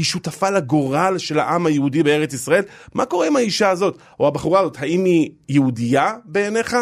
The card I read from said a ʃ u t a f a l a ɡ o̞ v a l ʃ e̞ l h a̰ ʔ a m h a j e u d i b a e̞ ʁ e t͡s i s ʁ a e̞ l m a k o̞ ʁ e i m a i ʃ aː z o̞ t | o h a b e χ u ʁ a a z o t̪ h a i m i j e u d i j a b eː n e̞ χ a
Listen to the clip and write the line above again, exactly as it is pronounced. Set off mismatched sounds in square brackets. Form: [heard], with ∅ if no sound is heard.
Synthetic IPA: [i] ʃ u t a f a l a ɡ o̞ [ʁ] a l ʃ e̞ l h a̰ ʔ a m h a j e u d i b [e] e̞ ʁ e t͡s i s ʁ a e̞ l m a k o̞ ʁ e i m a i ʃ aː z o̞ t | o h a b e χ u ʁ a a z o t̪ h a i m i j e u d i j a b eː n e̞ χ a